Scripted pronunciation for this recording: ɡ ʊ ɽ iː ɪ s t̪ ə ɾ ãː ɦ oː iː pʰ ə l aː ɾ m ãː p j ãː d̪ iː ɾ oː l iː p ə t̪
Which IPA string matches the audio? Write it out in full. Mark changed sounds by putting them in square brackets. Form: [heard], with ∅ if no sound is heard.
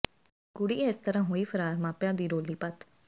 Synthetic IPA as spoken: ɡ ʊ ɽ iː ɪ s t̪ ə ɾ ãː ɦ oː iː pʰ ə [ɾ] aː ɾ m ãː p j ãː d̪ iː ɾ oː l iː p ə t̪